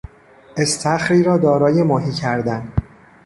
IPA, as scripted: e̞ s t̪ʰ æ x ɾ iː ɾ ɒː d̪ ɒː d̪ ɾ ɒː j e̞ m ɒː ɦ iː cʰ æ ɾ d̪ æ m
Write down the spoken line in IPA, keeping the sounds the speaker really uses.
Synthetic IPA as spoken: e̞ s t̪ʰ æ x ɾ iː ɾ ɒː d̪ ɒː ɾ ɒː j e̞ m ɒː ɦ iː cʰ æ ɾ d̪ æ n